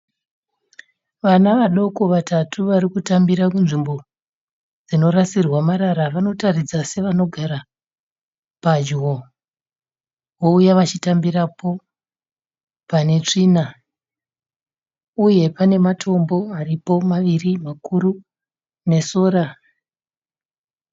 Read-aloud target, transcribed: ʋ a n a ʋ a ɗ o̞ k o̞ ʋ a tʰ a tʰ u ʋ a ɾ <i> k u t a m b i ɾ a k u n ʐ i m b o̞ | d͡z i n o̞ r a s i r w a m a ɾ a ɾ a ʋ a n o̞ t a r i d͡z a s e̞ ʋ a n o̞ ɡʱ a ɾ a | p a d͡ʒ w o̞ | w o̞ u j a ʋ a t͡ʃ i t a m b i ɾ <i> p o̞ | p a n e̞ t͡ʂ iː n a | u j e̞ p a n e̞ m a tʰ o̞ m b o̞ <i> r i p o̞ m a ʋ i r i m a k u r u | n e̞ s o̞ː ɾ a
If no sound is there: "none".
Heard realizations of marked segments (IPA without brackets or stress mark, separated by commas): i, a, a